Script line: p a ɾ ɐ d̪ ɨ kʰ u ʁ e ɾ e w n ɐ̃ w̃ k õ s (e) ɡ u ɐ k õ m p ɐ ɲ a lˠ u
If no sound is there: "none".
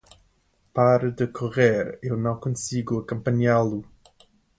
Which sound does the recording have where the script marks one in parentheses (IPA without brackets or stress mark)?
i